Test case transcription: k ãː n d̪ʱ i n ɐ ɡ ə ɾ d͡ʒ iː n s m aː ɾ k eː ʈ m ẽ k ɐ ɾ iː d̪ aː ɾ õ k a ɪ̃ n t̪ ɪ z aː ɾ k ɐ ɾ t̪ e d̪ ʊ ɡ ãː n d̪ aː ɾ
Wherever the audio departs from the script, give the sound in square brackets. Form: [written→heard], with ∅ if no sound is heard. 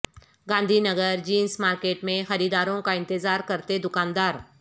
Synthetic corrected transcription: [k→ɡ] ãː n d̪ʱ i n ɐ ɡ ə ɾ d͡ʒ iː n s m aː ɾ k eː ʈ m ẽ [k→x] ɐ ɾ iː d̪ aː ɾ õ k a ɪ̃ n t̪ ɪ z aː ɾ k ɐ ɾ t̪ e d̪ ʊ [ɡ→k] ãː n d̪ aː ɾ